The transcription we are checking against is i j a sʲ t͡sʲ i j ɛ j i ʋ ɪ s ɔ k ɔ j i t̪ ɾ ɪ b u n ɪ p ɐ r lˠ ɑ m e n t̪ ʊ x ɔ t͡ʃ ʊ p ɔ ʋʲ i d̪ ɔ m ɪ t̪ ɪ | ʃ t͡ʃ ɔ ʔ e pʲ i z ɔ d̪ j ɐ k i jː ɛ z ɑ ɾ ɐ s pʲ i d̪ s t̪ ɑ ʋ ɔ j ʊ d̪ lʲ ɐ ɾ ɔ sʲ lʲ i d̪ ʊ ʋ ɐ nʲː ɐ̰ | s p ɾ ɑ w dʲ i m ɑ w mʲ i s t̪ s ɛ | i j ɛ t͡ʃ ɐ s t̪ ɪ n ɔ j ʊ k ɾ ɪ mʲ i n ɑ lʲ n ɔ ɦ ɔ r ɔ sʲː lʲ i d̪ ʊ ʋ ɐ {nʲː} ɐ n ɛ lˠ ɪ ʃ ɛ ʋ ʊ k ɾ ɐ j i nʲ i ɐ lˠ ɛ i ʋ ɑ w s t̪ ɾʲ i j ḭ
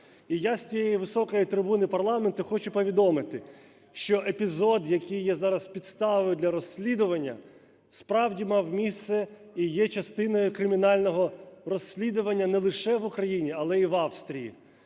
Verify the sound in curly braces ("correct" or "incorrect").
correct